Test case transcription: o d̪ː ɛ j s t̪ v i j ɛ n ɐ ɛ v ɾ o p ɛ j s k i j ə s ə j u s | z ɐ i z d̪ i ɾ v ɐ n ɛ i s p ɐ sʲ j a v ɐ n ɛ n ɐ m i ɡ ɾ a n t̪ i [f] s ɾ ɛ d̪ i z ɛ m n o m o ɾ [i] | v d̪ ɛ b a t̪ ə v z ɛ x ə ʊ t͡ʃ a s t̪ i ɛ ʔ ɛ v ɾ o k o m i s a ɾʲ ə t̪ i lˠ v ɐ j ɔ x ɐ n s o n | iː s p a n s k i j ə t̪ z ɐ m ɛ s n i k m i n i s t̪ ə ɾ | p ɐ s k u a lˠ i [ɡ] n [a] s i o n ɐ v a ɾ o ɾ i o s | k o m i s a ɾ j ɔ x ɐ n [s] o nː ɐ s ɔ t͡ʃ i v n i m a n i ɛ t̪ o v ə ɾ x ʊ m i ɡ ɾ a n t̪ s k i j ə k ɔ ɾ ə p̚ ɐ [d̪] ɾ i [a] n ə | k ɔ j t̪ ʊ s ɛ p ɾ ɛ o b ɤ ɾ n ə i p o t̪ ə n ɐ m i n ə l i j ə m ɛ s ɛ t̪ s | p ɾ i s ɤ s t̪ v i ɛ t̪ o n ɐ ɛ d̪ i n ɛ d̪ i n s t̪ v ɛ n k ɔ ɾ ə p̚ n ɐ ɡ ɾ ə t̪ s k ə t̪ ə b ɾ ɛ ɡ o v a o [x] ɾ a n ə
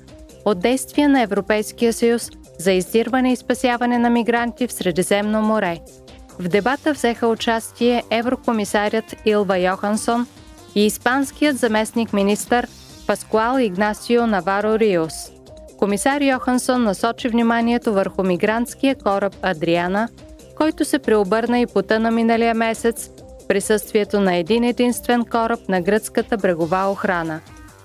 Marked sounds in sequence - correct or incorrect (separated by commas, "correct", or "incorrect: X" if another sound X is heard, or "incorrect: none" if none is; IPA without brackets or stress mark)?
correct, incorrect: ɛ, correct, correct, correct, correct, correct, correct